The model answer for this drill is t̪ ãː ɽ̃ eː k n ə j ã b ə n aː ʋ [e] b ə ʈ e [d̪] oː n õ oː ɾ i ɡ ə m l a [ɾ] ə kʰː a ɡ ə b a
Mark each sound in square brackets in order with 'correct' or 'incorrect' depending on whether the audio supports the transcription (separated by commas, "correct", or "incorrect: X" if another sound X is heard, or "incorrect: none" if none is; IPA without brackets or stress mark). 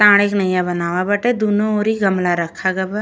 incorrect: a, correct, correct